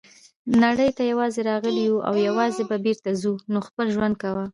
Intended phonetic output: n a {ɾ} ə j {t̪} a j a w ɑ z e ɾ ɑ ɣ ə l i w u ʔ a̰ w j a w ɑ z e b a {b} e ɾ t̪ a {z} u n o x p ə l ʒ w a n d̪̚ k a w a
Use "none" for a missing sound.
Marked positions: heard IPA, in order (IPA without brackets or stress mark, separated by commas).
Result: ɽ, t̪, b, z